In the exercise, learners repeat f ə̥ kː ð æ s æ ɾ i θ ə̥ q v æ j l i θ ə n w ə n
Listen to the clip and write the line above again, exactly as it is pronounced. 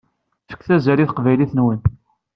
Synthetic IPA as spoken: f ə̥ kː θ æ z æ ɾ i θ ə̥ q v æ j l i θ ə n w ə n